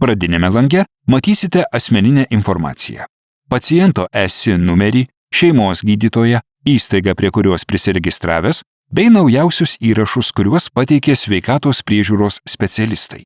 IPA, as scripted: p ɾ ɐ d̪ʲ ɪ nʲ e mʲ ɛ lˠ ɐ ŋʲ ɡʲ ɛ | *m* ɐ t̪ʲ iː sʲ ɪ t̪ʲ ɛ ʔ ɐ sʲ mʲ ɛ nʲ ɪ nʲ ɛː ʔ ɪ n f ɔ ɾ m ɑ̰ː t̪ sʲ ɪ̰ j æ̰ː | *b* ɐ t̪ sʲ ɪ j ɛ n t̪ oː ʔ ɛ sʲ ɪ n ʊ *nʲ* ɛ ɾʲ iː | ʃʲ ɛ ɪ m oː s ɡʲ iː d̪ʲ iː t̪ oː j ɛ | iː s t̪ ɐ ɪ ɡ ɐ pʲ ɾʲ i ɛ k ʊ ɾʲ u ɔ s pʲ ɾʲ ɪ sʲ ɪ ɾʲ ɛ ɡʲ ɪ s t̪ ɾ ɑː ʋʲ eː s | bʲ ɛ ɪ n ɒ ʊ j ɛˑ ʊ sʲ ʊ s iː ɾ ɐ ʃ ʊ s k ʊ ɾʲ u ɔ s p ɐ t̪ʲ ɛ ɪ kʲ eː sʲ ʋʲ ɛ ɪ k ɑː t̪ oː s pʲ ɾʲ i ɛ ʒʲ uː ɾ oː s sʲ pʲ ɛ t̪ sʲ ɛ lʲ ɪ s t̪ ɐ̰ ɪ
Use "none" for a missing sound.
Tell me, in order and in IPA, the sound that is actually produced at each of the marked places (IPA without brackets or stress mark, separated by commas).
m, p, mʲ